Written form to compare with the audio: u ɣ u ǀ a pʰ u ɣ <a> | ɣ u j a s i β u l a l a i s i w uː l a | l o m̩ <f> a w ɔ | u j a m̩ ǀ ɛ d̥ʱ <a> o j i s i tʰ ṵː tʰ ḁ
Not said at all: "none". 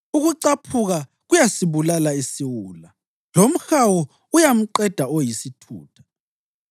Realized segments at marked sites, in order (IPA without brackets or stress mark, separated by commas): a, x, a